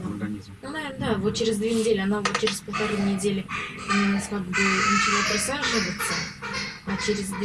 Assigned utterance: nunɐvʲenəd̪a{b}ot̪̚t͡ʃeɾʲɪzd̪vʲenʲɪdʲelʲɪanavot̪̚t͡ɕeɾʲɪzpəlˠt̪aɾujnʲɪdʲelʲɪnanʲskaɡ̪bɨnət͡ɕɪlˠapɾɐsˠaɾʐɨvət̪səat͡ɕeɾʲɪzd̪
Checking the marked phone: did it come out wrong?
yes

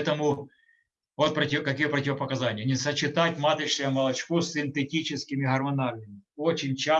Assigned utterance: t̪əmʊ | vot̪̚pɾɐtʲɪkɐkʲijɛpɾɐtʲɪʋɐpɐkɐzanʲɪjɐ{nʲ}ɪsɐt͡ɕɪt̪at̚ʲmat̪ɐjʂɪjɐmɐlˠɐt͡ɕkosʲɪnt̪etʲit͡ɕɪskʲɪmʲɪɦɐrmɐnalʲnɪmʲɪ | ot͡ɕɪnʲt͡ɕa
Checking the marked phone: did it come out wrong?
no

